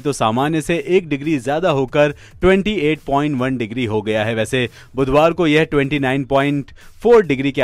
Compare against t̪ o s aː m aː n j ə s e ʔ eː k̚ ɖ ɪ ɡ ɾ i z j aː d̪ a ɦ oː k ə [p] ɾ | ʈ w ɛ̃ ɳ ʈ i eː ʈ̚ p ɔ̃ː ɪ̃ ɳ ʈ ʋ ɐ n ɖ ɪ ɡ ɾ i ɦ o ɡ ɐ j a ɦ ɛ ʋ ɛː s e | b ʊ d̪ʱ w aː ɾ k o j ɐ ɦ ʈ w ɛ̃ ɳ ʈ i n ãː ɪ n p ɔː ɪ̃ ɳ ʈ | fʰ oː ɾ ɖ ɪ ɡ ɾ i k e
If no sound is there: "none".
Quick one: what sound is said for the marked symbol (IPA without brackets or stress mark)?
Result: none